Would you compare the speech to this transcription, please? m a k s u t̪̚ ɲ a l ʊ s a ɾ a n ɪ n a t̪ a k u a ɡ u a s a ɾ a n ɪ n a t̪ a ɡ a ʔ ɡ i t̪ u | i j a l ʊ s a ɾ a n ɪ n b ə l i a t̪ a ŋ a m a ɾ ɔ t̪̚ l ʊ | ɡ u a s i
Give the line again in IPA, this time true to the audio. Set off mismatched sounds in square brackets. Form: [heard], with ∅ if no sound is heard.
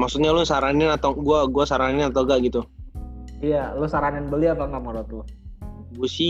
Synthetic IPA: m a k s u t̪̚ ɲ a l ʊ s a ɾ a n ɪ n a t̪ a [ɡ] u a ɡ u a s a ɾ a n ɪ n a t̪ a ɡ a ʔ ɡ i t̪ u | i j a l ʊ s a ɾ a n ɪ n b ə l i a t̪ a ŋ a m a ɾ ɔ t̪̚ l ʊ | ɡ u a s i